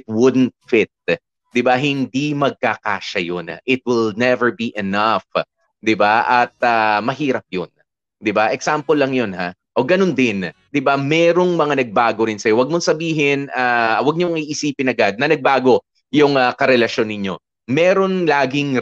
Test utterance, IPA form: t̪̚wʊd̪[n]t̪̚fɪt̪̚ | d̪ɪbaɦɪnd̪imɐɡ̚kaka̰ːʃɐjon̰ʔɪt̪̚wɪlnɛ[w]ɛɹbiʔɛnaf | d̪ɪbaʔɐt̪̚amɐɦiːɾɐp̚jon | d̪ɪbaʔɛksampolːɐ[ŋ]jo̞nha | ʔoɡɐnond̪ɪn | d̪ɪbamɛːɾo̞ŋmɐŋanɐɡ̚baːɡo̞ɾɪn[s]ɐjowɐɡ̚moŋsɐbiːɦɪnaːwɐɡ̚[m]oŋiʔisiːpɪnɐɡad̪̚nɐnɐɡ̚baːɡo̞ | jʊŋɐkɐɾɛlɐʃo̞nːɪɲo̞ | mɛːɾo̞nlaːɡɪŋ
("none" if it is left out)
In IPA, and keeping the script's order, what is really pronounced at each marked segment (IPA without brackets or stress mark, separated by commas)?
n, v, ŋ, s, ɲ